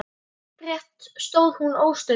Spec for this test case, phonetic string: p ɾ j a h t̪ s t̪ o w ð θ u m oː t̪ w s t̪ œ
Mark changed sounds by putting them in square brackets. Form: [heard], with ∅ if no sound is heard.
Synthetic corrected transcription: p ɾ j [ɛ] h t̪ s t̪ o w ð [h] u [n] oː [∅] w s t̪ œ

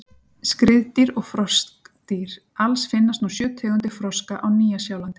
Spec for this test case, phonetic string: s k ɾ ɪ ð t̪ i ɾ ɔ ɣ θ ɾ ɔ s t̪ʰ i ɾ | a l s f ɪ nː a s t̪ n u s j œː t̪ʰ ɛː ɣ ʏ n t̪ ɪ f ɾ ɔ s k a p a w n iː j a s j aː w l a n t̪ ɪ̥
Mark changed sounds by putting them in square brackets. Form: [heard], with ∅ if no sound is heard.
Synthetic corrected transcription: s k ɾ ɪ ð t̪ i ɾ ɔ ɣ [f] ɾ ɔ s [t̪] i ɾ | a l s f ɪ nː a s t̪ n u s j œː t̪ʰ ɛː ɣ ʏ n t̪ ɪ f ɾ ɔ s k a [ʔ] a w n iː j a s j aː w l a n t̪ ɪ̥

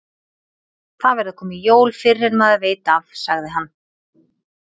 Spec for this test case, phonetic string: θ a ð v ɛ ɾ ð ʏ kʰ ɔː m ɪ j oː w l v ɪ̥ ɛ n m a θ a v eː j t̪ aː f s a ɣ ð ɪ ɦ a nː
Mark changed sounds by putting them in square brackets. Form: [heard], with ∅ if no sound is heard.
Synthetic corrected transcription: θ a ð v ɛ ɾ ð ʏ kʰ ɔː m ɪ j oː w l [f] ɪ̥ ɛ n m a [ð] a v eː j t̪ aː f s a ɣ ð ɪ ɦ a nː

